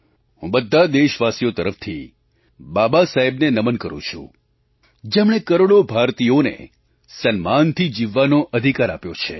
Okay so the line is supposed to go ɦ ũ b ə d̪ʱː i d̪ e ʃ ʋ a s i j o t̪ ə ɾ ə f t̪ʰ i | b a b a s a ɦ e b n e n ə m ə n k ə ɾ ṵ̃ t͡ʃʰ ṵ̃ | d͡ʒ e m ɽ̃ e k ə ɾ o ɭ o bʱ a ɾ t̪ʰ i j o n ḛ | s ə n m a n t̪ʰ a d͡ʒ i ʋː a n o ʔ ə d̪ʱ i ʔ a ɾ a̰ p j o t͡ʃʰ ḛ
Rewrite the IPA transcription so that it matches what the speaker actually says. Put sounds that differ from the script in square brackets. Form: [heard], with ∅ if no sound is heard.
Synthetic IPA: ɦ ũ b ə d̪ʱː [a] d̪ e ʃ ʋ a s i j o t̪ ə ɾ ə f t̪ʰ i | b a b a s a ɦ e b n e n ə m ə n k ə ɾ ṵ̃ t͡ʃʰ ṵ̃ | d͡ʒ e m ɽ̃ e k ə ɾ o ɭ o bʱ a ɾ [t̪] i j o n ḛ | s ə n m a n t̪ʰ [i] d͡ʒ i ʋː a n o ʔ ə d̪ʱ i [k] a ɾ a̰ p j o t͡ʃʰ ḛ